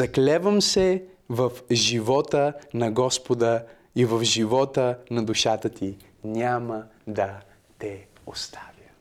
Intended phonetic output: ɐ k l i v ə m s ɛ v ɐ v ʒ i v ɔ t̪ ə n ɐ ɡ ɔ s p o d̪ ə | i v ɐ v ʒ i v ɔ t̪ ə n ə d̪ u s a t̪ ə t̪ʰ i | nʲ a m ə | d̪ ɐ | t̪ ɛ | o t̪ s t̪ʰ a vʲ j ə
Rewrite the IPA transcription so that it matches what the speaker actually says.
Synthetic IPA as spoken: ɐ k l ɛ v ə m s ɛ v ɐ f ʒ i v ɔ t̪ ə n ɐ ɡ ɔ s p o d̪ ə | i v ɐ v ʒ i v ɔ t̪ ə n ɐ d̪ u ʃ a t̪ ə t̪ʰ i | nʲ a m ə | d̪ ɐ | t̪ ɛ | o s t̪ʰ a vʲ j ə